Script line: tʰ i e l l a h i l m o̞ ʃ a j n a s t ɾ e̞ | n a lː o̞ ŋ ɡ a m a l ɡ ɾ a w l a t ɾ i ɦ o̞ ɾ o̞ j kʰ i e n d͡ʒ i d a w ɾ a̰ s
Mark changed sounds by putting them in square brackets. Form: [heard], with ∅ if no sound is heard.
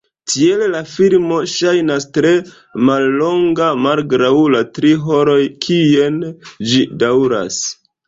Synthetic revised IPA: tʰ i e l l a [f] i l m o̞ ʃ a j n a s t ɾ e̞ | [m] a lː o̞ ŋ ɡ a m a l ɡ ɾ a w l a t ɾ i ɦ o̞ ɾ o̞ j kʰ i e n d͡ʒ i d a w ɾ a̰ s